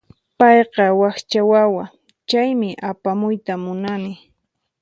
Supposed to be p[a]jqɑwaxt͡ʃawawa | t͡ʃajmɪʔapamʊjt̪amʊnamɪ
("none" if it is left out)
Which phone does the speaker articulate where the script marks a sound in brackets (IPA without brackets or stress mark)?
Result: ɑ